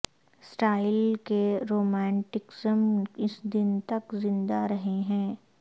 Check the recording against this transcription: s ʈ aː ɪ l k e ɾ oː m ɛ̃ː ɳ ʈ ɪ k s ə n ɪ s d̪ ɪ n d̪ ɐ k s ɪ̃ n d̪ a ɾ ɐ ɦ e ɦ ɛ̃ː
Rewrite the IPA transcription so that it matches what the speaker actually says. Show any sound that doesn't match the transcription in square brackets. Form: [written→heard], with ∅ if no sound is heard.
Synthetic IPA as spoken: s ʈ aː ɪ l k e ɾ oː m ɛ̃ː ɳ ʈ ɪ k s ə [n→m] ɪ s d̪ ɪ n [d̪→t̪] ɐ k [s→z] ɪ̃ n d̪ a ɾ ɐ ɦ e ɦ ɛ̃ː